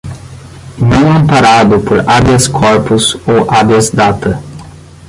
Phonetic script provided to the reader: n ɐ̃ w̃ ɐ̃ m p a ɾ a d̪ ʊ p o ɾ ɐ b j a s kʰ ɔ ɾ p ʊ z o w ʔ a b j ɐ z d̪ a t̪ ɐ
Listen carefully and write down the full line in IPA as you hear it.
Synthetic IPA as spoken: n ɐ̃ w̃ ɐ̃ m p a ɾ a d̪ ʊ p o ɾ a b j ɐ s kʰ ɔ ɾ p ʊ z o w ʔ a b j ɐ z d̪ a t̪ ɐ